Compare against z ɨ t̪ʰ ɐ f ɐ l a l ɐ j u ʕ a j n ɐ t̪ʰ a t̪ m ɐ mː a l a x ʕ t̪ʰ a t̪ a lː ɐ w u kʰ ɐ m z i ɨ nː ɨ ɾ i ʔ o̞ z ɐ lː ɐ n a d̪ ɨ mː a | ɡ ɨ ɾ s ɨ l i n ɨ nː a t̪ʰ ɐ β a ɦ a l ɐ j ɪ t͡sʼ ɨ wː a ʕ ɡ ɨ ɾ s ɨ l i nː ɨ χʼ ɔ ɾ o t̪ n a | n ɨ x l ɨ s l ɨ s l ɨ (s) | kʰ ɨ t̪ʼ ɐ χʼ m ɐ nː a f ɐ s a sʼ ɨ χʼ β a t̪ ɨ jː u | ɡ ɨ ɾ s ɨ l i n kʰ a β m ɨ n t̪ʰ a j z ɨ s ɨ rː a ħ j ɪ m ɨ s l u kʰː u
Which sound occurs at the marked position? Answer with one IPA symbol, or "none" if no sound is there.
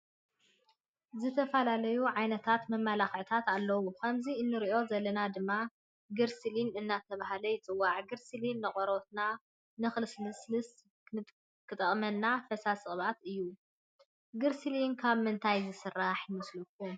s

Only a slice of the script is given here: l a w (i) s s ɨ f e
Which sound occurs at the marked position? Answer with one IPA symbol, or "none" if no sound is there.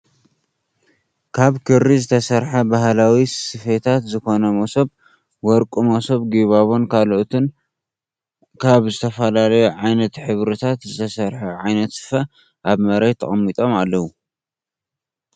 i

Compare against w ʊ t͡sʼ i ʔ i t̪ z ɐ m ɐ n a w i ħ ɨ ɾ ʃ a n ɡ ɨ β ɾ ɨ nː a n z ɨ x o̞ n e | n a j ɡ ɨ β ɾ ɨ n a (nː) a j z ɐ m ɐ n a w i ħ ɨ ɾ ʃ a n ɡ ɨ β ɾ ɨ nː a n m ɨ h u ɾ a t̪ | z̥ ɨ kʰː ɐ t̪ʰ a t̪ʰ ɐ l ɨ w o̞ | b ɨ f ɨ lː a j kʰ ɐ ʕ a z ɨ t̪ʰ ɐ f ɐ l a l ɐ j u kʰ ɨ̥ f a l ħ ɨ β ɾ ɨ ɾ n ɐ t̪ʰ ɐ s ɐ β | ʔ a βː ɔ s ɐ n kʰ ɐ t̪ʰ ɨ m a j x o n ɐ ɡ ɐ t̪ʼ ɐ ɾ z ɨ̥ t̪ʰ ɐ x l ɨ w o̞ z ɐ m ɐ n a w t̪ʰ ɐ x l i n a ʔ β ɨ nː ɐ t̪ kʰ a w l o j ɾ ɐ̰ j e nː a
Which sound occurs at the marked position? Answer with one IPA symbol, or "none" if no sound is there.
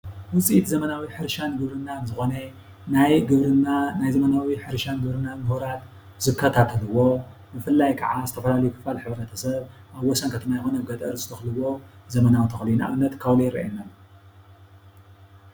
n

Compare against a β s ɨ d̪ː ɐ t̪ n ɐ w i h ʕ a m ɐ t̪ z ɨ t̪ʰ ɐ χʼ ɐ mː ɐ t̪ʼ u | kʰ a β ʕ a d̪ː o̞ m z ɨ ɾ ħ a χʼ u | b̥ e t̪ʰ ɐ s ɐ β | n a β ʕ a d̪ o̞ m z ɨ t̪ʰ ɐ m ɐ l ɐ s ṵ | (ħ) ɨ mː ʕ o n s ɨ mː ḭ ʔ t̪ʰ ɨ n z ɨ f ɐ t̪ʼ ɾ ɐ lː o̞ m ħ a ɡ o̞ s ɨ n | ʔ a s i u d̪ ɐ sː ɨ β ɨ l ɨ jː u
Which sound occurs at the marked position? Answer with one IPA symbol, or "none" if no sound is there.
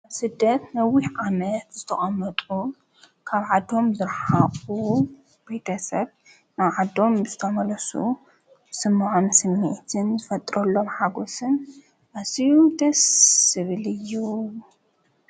s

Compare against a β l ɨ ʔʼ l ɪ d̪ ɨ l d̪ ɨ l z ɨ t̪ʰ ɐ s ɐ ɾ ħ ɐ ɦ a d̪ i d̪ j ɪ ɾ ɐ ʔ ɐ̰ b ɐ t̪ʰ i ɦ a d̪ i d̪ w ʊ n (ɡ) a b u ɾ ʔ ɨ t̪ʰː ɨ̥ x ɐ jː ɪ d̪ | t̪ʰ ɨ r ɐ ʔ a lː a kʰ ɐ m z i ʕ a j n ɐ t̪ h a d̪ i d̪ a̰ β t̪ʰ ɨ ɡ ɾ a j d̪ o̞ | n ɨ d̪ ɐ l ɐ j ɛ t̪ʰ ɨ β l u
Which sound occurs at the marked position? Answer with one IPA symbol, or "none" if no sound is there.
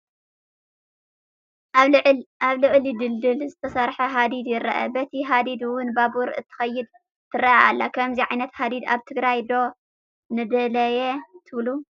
b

